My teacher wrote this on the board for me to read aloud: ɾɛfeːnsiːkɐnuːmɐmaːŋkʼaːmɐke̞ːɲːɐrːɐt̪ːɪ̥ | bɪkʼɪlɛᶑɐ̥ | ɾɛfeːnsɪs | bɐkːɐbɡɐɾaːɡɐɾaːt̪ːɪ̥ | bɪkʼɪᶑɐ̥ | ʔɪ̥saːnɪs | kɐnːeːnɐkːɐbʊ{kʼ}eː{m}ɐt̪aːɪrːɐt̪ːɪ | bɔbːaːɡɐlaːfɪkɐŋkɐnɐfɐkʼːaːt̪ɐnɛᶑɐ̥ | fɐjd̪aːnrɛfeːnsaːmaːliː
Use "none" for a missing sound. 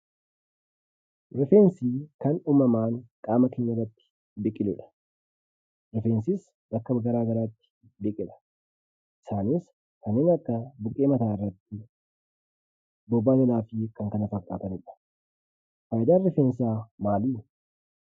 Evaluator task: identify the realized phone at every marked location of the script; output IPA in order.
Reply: kʼ, m

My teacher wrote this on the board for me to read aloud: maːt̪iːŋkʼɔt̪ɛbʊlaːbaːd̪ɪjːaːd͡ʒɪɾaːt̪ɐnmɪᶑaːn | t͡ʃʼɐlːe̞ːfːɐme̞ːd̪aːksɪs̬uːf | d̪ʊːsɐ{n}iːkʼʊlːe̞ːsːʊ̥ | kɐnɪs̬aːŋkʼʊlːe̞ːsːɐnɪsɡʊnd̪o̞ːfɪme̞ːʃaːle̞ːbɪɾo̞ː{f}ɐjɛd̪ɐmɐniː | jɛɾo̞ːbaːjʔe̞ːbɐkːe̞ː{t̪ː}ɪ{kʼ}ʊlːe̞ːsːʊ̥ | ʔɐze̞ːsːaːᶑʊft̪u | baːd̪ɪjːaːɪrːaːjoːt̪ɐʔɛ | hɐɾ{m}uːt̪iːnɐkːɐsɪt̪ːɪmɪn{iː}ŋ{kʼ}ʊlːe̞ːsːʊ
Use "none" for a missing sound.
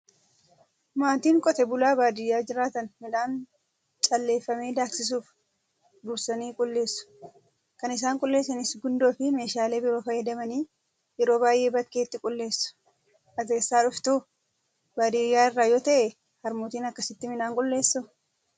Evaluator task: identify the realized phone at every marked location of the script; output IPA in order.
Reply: n, f, t̪ː, kʼ, m, aː, kʼ

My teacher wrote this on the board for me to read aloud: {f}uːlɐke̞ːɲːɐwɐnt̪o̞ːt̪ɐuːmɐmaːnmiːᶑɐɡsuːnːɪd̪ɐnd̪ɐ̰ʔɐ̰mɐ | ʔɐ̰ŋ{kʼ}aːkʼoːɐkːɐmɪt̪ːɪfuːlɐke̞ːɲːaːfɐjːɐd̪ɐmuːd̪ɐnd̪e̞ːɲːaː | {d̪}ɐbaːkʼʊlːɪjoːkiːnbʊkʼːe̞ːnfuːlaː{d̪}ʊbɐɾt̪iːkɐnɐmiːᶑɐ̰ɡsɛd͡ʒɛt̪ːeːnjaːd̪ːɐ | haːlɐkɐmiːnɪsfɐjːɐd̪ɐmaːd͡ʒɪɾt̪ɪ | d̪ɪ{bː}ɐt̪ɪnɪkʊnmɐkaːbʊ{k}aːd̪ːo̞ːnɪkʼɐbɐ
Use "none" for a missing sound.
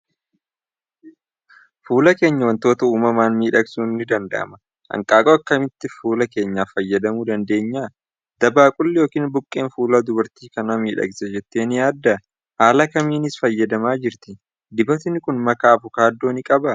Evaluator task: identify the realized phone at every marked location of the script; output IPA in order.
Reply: f, kʼ, d̪, d̪, b, k

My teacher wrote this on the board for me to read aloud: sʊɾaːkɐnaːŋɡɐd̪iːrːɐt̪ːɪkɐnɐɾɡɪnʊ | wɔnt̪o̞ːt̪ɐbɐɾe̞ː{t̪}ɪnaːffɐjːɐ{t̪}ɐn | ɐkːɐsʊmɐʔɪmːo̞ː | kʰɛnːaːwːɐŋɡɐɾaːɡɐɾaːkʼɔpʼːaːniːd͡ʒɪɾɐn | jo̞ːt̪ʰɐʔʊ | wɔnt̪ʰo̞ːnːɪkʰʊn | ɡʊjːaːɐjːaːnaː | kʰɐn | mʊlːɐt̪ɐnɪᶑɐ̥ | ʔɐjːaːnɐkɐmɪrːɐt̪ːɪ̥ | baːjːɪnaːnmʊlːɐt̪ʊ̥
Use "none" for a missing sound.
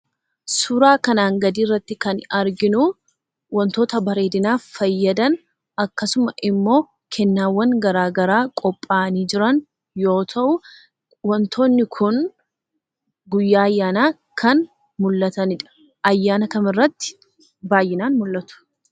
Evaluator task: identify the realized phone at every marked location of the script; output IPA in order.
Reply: d̪, d̪

